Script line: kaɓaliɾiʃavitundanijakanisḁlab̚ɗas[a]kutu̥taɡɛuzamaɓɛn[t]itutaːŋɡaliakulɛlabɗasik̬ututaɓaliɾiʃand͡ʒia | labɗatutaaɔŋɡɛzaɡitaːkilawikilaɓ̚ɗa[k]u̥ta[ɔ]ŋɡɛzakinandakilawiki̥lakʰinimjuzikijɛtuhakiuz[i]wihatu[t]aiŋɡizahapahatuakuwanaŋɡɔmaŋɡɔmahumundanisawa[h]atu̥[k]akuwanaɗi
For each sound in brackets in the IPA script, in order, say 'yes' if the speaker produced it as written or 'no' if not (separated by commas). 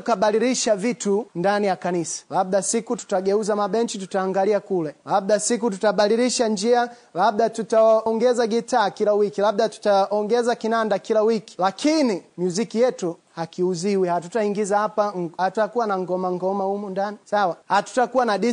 no, no, no, yes, yes, yes, yes, no